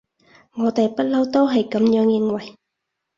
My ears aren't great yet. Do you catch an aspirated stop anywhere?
no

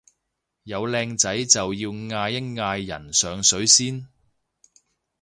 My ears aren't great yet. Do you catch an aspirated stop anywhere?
no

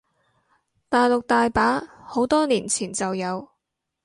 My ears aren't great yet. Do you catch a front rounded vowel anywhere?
no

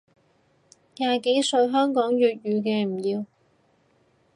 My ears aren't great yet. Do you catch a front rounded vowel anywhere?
yes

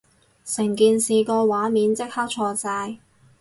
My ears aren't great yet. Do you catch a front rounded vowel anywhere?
no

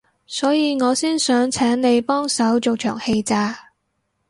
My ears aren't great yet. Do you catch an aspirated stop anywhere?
yes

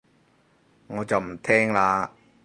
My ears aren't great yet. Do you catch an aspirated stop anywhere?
yes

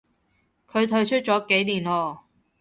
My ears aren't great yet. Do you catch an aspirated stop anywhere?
yes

